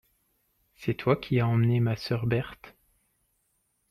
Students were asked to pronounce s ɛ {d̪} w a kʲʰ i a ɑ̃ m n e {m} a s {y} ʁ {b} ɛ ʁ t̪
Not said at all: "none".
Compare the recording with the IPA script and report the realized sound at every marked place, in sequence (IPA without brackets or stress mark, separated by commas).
t̪, m, œ, b